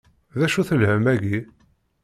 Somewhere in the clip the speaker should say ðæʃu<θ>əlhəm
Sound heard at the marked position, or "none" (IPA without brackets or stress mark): θ